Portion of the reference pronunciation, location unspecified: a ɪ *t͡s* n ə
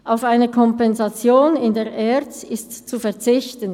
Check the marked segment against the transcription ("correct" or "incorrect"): incorrect